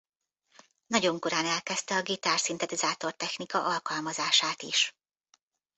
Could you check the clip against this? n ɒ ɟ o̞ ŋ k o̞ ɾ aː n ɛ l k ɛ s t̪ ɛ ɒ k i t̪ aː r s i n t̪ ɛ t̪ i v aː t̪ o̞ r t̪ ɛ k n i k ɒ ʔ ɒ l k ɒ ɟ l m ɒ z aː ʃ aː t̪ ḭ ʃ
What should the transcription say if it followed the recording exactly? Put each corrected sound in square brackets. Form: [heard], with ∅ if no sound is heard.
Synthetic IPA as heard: n ɒ ɟ o̞ ŋ k o̞ ɾ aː n ɛ l k ɛ s t̪ ɛ ɒ [ɡ] i t̪ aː r s i n t̪ ɛ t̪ i [z] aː t̪ o̞ r t̪ ɛ [x] n i k ɒ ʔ ɒ l k ɒ [∅] l m ɒ z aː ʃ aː t̪ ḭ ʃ